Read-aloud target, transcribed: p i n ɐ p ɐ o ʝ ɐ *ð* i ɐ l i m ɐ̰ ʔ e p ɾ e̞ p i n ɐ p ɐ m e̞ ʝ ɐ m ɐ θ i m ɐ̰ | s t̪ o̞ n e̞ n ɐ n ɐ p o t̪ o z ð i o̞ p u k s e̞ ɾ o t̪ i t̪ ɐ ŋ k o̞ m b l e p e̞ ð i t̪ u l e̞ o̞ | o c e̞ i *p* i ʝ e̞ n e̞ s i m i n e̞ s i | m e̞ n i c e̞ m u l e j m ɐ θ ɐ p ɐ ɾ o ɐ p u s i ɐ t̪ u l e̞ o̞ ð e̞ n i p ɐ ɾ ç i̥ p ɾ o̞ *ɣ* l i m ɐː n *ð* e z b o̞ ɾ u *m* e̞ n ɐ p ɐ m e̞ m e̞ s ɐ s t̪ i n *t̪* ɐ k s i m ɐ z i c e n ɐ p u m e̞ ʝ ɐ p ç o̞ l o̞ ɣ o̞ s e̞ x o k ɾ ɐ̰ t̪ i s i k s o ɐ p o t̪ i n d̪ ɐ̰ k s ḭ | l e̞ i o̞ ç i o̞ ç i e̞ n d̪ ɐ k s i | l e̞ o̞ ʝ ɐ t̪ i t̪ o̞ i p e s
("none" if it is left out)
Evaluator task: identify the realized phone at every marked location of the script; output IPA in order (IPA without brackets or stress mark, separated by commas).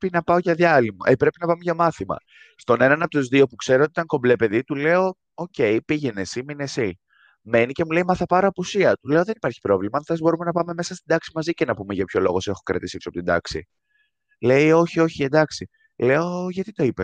ð, p, v, θ, m, d̪